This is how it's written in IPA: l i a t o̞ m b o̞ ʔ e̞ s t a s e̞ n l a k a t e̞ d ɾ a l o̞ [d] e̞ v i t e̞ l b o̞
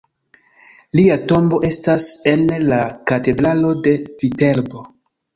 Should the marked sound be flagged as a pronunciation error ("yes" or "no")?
no